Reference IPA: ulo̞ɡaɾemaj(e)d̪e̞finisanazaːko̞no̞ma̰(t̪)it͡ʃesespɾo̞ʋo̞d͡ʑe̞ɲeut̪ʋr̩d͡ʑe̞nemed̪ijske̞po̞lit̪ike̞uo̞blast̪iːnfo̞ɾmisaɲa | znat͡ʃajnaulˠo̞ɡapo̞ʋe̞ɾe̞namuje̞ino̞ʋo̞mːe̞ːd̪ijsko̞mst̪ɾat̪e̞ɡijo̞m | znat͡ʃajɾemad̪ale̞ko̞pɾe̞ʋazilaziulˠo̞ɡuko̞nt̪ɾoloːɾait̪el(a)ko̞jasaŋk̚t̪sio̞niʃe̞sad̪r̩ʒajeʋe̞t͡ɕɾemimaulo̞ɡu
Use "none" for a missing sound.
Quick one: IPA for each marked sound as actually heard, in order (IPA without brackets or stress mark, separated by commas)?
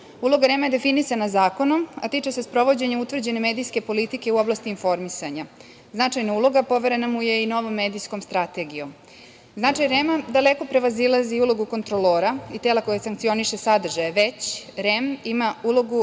e, t̪, a